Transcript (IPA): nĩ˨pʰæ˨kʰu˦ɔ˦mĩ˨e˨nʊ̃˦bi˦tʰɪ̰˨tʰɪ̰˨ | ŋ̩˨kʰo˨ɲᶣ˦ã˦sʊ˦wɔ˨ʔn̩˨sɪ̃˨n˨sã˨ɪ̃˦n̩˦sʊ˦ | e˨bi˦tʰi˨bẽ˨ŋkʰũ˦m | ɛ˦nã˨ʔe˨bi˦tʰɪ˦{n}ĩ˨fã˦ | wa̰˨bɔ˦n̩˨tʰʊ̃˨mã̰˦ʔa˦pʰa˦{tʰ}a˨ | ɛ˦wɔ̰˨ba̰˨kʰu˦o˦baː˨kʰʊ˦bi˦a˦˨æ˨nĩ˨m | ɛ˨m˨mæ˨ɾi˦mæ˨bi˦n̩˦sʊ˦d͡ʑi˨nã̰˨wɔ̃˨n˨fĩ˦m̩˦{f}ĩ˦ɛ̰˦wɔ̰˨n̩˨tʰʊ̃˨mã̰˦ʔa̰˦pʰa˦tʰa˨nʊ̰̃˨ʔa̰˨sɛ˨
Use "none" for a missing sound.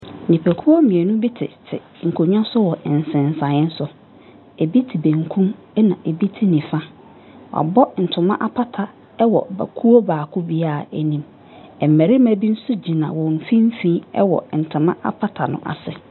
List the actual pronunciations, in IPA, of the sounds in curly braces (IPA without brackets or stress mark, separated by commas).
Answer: n, tʰ, f